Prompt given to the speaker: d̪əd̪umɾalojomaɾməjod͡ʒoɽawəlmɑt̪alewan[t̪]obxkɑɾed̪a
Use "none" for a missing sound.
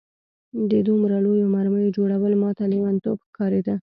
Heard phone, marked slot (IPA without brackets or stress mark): t̪